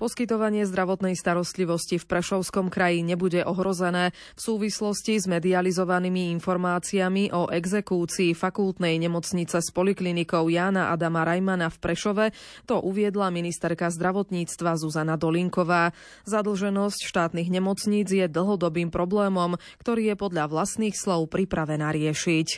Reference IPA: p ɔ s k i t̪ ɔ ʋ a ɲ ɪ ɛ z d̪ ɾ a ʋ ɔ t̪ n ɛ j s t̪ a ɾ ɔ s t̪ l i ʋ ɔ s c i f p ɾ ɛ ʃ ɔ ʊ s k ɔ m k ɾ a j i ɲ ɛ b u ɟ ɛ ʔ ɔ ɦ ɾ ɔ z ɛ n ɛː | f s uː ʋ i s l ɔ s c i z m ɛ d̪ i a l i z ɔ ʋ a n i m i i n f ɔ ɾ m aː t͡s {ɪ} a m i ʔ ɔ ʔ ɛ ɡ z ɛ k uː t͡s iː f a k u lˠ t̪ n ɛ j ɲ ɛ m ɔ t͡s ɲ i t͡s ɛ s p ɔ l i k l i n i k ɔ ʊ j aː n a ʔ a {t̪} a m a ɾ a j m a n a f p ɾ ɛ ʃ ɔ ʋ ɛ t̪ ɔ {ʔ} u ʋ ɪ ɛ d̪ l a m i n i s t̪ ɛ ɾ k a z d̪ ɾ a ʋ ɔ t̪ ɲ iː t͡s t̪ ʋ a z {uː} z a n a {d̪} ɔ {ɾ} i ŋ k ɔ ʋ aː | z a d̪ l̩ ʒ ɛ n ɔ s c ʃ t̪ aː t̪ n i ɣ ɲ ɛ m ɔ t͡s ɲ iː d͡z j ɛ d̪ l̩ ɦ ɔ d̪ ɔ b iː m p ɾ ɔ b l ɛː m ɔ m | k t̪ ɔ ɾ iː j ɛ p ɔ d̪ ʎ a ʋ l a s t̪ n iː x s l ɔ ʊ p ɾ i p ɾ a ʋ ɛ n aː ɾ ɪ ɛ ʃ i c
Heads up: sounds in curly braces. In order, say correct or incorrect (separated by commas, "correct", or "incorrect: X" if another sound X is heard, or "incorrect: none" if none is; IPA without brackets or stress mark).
incorrect: i, incorrect: d̪, correct, incorrect: u, correct, incorrect: l